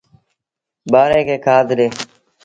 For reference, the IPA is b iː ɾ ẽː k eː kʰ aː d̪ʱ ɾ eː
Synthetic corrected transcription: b aː ɾ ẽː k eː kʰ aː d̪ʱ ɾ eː